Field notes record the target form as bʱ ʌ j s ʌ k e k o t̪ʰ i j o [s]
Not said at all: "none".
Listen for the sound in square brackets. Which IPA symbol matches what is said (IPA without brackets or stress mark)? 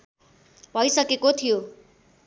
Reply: none